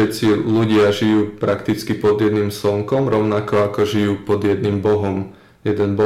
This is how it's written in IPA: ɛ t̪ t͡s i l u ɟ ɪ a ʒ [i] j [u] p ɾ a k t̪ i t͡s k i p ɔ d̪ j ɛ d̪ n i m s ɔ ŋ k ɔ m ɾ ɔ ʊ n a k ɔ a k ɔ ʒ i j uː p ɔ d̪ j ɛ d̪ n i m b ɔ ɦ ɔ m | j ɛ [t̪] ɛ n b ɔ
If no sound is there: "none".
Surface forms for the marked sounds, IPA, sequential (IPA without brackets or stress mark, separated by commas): i, uː, d̪